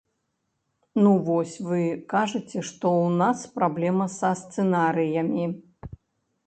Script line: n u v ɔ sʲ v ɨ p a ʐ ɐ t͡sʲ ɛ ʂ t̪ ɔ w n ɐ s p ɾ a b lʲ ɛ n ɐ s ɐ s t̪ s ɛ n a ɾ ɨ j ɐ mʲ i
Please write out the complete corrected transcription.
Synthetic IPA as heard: n u v ɔ sʲ v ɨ k a ʐ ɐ t͡sʲ ɛ ʂ t̪ ɔ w n a s p ɾ a b lʲ ɛ m ɐ s ɐ s t̪ s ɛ n a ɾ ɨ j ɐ mʲ i